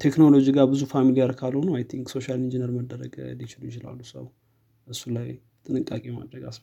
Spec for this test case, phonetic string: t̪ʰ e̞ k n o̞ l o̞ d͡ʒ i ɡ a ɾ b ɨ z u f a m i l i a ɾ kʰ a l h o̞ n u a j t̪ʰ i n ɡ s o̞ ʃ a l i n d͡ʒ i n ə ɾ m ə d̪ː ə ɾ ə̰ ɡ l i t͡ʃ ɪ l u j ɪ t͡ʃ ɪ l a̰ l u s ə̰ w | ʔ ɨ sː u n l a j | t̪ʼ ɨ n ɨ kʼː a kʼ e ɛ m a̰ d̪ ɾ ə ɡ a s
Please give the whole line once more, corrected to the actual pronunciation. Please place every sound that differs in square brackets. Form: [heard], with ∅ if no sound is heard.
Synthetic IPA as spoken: t̪ʰ e̞ k n o̞ l o̞ d͡ʒ i ɡ a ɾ b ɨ z u f a m i l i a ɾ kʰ a l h o̞ n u a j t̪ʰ i [ŋ] ɡ s o̞ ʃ a l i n d͡ʒ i n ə ɾ m ə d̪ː ə ɾ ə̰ ɡ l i t͡ʃ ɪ l u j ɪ t͡ʃ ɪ l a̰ [lː] u s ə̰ w | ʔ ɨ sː u [∅] l a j | t̪ʼ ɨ n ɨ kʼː a kʼ e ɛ m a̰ d̪ ɾ ə ɡ a s